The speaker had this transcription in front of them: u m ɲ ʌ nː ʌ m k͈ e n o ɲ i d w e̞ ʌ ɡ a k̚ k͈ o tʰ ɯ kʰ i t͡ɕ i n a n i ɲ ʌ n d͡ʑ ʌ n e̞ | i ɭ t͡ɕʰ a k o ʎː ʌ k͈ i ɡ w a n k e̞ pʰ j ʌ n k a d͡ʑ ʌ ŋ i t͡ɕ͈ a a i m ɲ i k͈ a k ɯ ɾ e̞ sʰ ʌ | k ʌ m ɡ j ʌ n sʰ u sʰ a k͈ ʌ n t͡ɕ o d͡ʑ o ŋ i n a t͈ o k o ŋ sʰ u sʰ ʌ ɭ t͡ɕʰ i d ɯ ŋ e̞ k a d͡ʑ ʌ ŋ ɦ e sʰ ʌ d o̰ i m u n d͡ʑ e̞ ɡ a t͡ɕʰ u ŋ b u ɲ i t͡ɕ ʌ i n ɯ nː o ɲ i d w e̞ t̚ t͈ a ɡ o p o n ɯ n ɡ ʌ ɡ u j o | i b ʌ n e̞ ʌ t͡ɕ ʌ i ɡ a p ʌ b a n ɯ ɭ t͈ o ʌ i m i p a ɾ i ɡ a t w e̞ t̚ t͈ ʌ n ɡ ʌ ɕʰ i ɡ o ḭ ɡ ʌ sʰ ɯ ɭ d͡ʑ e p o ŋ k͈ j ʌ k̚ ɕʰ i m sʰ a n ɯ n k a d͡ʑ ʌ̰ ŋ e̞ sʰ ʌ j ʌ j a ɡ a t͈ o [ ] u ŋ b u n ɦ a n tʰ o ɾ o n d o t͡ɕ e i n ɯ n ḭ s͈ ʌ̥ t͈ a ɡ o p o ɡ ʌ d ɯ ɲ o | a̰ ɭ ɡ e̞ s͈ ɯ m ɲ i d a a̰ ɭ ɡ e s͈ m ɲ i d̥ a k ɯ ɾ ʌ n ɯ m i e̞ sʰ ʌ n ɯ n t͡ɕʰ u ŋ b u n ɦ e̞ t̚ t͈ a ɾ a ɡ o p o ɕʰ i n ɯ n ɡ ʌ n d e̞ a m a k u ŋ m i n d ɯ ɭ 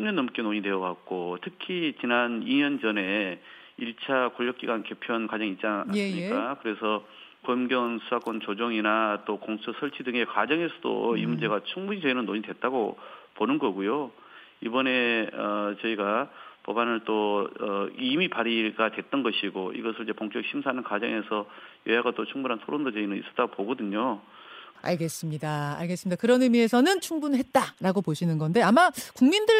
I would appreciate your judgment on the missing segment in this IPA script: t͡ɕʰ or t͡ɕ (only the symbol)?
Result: t͡ɕʰ